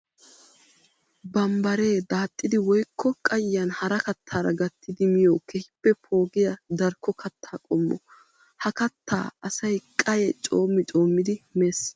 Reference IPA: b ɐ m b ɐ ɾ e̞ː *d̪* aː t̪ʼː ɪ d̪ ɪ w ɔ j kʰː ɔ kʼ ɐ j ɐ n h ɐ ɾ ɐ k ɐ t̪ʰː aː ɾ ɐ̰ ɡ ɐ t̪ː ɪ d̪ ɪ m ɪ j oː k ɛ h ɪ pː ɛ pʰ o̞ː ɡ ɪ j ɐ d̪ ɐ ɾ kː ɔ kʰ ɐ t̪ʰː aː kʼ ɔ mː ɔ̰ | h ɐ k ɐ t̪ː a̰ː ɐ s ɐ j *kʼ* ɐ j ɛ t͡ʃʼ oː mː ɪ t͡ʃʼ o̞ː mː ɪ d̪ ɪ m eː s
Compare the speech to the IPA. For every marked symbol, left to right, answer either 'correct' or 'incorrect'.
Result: correct, correct

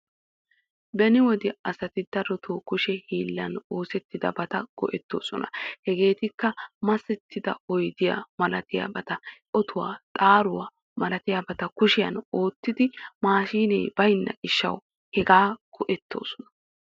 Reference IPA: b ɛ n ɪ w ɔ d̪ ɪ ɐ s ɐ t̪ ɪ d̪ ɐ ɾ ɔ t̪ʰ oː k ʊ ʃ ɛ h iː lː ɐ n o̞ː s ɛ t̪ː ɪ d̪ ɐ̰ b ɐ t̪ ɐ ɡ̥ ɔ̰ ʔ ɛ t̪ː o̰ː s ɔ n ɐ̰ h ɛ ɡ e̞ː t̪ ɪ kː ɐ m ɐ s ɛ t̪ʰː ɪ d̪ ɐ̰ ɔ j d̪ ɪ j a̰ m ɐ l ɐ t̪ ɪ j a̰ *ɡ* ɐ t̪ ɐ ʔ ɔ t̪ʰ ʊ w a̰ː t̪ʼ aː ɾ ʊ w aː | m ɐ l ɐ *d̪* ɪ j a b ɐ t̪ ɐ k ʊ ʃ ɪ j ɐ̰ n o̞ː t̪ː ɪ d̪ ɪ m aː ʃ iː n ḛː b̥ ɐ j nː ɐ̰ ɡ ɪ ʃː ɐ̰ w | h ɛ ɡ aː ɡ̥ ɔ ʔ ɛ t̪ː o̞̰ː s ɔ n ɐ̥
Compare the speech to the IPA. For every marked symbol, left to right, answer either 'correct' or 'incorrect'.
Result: incorrect: b, incorrect: t̪

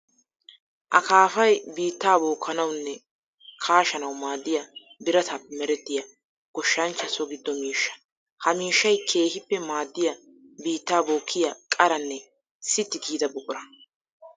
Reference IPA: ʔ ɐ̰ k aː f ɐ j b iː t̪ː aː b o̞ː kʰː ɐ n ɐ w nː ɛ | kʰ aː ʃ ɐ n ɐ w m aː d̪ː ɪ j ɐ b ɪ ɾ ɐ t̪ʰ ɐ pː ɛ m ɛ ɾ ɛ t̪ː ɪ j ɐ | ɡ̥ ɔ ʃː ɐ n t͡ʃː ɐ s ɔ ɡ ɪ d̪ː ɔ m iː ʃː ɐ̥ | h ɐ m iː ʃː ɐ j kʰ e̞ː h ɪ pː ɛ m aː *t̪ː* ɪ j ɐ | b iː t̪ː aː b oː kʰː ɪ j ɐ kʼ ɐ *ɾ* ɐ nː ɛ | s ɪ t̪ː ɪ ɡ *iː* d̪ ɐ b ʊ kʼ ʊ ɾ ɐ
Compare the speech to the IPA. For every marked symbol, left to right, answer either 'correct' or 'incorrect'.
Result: incorrect: d̪ː, correct, correct

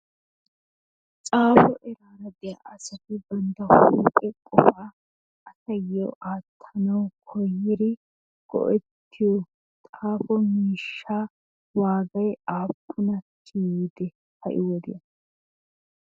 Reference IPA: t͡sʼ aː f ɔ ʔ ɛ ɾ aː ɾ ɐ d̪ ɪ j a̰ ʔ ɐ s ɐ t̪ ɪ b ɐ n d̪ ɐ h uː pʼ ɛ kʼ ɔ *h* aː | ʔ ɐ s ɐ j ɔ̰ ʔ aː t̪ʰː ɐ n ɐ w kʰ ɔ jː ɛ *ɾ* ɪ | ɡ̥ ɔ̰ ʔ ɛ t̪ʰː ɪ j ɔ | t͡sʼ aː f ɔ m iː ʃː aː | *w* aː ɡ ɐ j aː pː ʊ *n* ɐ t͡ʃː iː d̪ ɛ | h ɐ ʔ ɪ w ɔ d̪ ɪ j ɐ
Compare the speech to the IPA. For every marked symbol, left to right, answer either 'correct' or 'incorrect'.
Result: incorrect: f, correct, correct, correct

